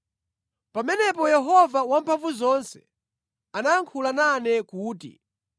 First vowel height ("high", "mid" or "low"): low